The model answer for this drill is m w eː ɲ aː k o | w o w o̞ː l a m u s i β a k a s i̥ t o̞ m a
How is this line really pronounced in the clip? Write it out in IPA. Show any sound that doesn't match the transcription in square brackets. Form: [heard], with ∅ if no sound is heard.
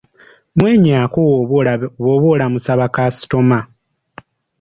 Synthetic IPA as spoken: m w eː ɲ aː k o | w o [β] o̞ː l a m u s [a] β a k a s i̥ t o̞ m a